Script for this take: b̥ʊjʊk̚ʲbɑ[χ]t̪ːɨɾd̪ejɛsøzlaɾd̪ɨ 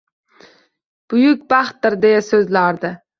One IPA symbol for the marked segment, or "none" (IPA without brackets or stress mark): χ